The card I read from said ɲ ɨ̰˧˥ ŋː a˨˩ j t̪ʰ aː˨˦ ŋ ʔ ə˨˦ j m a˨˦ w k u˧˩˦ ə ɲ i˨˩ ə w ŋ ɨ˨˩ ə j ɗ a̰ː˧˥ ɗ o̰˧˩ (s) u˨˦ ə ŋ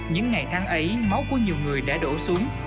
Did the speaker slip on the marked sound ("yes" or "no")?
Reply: no